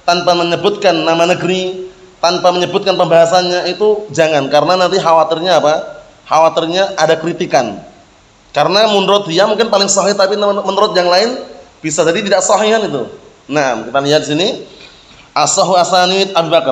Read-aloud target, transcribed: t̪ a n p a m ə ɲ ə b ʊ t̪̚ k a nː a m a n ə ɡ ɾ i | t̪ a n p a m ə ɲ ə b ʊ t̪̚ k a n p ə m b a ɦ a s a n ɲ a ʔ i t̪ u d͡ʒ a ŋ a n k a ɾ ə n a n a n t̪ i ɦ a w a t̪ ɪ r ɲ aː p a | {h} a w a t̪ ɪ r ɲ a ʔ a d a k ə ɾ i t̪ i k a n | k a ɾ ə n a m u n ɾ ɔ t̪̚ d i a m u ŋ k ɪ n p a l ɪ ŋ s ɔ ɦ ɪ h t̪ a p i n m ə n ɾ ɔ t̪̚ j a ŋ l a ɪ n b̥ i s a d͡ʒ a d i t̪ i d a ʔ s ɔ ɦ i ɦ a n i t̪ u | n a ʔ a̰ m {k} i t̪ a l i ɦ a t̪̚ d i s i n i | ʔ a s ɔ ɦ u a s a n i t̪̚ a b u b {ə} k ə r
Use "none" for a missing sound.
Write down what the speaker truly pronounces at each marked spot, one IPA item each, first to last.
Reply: h, k, a

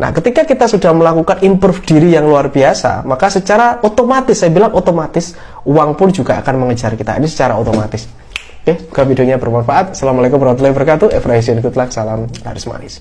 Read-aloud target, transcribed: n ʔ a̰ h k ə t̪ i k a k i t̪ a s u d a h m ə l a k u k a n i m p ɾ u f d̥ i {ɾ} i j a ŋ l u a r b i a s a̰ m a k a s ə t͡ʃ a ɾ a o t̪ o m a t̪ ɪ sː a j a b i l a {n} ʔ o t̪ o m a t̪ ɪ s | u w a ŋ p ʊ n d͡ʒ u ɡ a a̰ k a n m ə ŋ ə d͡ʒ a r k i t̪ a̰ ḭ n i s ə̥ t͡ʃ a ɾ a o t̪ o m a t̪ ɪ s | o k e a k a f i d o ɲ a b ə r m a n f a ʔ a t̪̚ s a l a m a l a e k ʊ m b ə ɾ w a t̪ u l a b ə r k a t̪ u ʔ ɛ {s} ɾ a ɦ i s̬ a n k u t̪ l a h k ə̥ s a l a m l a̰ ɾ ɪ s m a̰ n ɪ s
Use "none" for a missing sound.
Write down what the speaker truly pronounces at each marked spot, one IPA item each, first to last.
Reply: ɾ, ŋ, f

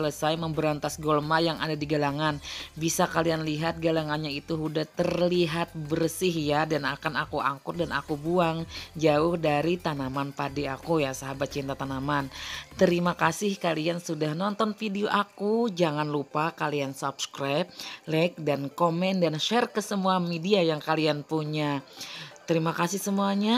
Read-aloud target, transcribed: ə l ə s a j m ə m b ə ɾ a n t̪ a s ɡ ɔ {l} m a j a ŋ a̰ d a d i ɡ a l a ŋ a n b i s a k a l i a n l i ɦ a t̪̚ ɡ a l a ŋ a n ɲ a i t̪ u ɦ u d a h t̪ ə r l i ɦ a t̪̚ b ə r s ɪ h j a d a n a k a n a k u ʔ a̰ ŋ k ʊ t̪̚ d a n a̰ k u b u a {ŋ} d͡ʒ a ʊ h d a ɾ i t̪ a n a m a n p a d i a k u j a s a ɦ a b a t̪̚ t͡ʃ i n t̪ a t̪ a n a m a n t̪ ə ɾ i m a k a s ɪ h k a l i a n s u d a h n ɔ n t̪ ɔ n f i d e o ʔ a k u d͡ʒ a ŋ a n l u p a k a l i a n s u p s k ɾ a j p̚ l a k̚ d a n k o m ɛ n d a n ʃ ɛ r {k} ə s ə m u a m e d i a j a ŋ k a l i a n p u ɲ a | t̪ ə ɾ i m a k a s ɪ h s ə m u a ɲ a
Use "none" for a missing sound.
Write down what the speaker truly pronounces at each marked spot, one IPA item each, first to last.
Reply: l, ŋ, k

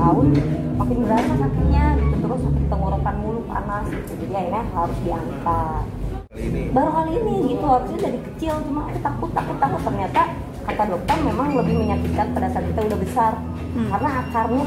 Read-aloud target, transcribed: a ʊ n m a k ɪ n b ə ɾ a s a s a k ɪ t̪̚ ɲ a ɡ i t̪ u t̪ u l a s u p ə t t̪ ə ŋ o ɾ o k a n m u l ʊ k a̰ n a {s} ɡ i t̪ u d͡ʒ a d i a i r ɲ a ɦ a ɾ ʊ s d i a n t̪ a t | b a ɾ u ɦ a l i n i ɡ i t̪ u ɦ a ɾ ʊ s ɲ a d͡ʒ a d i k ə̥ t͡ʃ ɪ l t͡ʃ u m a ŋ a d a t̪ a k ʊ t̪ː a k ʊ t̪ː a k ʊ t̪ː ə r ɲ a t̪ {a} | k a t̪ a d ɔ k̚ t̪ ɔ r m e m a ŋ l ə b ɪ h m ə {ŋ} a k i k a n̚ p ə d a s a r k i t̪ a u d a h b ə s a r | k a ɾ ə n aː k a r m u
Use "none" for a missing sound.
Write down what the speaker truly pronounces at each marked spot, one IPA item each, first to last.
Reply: s, a, ɲ

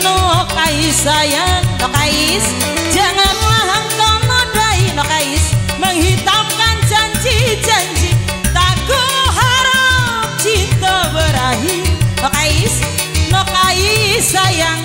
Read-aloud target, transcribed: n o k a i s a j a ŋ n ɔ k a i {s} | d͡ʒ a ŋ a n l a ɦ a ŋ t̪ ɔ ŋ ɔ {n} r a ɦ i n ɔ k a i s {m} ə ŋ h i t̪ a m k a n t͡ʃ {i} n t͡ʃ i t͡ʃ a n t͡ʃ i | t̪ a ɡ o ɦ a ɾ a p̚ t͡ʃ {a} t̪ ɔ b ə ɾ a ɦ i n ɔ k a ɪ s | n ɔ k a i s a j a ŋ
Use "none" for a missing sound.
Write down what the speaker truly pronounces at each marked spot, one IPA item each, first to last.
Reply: s, n, m, a, i

